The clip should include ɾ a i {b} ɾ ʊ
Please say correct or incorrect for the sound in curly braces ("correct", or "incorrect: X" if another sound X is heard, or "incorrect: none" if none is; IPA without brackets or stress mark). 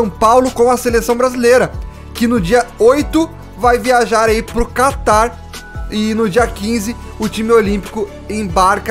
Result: incorrect: p